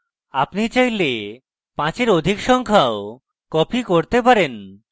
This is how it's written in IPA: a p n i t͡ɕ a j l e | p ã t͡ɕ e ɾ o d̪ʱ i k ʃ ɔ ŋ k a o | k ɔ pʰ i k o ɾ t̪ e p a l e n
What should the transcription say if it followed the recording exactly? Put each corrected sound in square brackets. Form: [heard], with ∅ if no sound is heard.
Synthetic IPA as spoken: a p n i t͡ɕ a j l e | p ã t͡ɕ e ɾ o d̪ʱ i k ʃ ɔ ŋ [kʰ] a o | k ɔ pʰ i k o ɾ t̪ e p a [ɾ] e n